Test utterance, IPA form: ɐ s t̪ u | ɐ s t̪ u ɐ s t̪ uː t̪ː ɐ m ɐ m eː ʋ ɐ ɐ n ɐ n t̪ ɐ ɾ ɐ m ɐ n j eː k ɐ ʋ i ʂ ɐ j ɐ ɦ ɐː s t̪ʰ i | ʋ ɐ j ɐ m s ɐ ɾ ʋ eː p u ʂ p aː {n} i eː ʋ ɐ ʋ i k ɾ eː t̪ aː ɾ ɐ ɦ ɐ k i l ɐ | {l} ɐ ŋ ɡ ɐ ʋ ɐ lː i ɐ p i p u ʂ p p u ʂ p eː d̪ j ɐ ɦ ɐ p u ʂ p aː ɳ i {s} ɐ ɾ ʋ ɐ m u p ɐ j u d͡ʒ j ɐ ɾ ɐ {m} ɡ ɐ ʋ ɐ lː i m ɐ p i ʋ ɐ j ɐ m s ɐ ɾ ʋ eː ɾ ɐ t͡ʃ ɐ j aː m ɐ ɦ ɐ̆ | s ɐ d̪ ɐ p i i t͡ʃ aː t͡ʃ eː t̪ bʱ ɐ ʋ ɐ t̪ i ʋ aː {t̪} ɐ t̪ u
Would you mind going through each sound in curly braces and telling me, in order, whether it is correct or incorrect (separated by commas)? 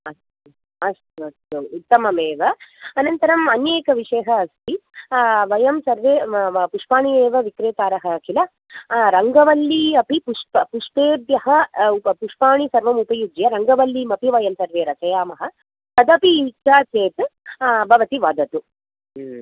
incorrect, incorrect, correct, incorrect, incorrect